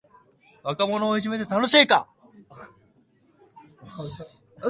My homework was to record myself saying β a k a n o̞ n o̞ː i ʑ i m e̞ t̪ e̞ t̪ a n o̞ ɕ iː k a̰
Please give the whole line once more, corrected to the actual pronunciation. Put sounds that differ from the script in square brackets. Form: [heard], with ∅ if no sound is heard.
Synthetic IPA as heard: β a k a [m] o̞ n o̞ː i ʑ i m e̞ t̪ e̞ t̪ a n o̞ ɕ iː k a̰